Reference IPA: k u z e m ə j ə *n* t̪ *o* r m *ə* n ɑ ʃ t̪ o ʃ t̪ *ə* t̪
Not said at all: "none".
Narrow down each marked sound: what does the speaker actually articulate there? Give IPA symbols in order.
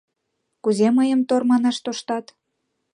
m, o, ɑ, ɑ

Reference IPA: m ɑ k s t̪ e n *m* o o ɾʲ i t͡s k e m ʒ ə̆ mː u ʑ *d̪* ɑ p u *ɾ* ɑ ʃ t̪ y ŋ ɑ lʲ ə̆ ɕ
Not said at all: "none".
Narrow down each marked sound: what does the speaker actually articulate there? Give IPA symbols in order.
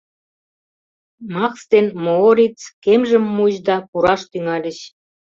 m, d̪, ɾ

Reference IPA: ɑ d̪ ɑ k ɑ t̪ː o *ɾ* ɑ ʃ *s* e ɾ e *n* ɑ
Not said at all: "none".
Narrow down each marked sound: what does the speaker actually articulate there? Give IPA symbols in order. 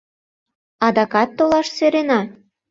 l, s, n

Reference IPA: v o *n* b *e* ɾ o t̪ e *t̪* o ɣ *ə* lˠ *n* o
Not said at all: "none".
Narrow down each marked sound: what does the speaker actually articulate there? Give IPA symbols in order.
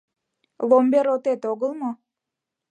m, e, t̪, ə, m

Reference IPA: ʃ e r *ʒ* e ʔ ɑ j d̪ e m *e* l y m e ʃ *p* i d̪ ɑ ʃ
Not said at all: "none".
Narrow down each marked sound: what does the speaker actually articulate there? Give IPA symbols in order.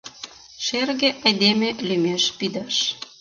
ɣ, e, p

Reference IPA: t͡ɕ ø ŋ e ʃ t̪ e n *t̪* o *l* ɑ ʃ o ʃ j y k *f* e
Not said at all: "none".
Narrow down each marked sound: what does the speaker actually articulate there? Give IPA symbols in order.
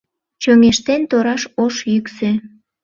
t̪, ɾ, s

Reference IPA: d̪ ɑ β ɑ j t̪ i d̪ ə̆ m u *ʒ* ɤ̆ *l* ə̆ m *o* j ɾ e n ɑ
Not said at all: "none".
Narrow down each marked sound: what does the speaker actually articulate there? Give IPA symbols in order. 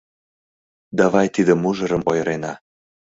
ʒ, ɾ, o

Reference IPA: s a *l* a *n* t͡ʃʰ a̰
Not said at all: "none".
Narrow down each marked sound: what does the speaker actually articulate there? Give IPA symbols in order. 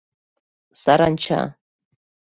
ɾ, n

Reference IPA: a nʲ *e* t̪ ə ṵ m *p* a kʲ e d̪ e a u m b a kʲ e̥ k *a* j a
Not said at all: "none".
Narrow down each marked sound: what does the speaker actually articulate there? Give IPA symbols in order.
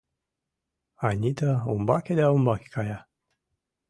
i, b, a

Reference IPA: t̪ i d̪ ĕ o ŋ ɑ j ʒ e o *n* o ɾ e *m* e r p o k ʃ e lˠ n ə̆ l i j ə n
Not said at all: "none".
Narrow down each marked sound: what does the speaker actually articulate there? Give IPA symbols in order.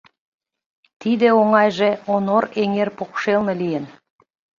n, ŋ

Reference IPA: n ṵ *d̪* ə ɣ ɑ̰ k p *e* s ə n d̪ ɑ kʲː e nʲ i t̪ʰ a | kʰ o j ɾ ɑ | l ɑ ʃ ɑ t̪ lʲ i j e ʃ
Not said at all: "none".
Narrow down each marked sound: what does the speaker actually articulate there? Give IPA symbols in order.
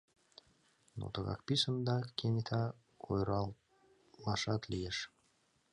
t̪, i

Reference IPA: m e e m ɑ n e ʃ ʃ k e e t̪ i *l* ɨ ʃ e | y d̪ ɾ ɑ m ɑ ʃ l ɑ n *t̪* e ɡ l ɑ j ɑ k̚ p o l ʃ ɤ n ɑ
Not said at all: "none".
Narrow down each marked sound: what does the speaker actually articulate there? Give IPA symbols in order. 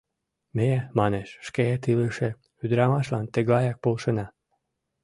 l, t̪

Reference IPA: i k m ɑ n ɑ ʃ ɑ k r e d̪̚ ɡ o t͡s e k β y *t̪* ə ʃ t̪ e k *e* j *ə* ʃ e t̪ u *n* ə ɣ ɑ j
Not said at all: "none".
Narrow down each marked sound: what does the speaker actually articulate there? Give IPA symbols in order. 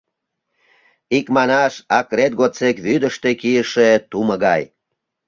d̪, i, ə, m

